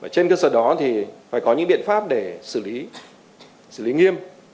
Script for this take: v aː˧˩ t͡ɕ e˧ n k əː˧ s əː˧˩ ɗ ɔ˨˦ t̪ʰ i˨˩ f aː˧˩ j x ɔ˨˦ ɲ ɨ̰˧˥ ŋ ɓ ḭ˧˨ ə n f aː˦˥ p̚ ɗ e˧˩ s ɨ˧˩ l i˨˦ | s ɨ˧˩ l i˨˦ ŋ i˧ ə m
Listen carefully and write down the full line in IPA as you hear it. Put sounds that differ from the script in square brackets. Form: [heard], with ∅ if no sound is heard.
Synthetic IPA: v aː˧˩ t͡ɕ e˧ n k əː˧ s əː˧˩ ɗ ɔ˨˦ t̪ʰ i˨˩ f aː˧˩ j [k] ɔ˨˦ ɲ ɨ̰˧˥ ŋ ɓ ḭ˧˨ ə n f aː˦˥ p̚ ɗ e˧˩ s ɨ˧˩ l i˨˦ | s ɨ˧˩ l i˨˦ ŋ i˧ ə m